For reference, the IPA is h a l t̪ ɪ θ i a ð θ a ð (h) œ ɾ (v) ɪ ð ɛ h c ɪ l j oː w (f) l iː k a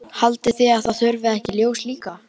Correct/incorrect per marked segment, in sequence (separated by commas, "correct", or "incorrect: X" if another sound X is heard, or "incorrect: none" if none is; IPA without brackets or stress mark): incorrect: θ, correct, incorrect: s